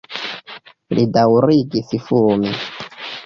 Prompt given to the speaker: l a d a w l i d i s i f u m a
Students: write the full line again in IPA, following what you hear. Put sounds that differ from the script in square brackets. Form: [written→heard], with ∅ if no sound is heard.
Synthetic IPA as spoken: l [a→i] d a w [l→ɾ] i [d→ɡ] i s i f u m [a→i]